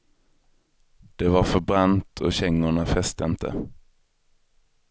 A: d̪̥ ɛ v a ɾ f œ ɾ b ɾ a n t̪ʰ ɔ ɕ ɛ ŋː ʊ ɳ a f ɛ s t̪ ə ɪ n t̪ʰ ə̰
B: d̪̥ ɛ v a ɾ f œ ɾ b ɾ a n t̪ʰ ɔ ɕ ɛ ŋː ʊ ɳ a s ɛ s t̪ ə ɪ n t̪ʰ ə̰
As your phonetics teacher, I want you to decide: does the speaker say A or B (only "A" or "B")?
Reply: A